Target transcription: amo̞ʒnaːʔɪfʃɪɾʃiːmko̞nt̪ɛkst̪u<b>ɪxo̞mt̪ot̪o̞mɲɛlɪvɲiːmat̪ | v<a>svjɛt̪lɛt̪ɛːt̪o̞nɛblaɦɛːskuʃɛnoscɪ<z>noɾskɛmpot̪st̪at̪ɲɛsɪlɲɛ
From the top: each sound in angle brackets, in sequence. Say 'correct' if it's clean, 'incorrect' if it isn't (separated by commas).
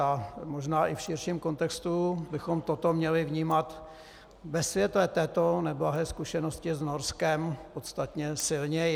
correct, incorrect, correct